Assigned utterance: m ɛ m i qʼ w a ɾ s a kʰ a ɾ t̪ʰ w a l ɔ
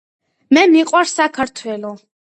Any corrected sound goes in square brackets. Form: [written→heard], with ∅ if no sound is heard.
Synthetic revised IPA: m ɛ m i qʼ w a ɾ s a kʰ a ɾ t̪ʰ w [a→ɛ] l ɔ